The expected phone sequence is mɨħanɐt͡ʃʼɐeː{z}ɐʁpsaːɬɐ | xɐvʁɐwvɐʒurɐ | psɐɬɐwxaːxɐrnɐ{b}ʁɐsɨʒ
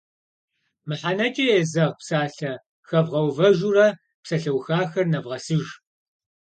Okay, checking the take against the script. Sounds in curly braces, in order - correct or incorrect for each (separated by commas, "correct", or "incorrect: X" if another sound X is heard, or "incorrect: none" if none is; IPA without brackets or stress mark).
correct, incorrect: v